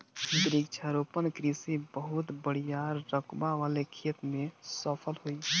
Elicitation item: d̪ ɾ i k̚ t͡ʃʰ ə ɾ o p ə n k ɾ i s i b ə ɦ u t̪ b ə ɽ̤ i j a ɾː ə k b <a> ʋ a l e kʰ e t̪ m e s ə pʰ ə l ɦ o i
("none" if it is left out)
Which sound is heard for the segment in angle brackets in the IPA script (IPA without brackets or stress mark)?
a